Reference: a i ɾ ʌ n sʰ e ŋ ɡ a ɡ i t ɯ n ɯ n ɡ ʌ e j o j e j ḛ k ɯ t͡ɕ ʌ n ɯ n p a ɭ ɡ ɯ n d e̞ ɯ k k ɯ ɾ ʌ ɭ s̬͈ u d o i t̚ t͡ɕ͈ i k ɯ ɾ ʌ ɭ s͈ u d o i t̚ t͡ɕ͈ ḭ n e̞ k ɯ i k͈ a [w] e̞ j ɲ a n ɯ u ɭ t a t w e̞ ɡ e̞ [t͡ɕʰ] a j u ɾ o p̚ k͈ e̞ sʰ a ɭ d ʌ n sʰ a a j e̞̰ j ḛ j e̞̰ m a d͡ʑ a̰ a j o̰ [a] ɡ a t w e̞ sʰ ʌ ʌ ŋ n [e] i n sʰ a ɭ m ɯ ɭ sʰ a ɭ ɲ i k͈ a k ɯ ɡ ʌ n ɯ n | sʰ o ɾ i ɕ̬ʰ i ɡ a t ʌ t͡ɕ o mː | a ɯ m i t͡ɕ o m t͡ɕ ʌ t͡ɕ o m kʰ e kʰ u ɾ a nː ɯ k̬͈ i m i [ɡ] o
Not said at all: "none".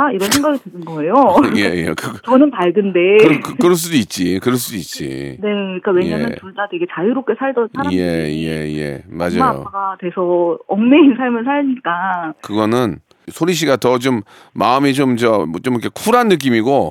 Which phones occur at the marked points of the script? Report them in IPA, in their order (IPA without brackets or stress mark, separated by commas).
w, t͡ɕ, a, e, ɡ